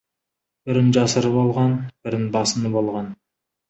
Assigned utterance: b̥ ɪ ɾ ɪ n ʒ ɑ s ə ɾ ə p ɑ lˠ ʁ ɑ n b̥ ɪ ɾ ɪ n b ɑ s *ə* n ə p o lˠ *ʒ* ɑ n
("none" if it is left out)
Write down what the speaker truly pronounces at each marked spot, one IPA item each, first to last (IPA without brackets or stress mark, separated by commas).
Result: ə, ʁ